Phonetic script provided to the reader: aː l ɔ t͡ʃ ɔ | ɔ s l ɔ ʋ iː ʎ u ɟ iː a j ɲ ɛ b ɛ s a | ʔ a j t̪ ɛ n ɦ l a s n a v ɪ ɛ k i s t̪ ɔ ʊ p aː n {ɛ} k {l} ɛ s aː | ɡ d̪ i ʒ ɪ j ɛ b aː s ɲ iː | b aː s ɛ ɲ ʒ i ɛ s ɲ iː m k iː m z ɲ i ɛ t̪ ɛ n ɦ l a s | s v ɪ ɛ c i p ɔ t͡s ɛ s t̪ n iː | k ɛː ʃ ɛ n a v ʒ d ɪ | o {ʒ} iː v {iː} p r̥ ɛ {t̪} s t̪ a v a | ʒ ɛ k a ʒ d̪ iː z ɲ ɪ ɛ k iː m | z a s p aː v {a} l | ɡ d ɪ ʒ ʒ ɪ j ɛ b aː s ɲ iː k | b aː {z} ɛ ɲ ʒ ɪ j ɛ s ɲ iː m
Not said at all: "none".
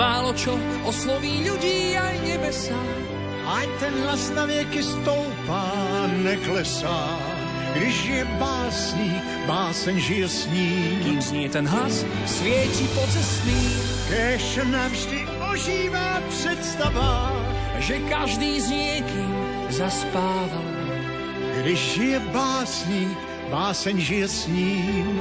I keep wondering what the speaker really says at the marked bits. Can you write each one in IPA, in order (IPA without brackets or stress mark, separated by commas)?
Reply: ɛ, l, ʒ, aː, t̪, a, s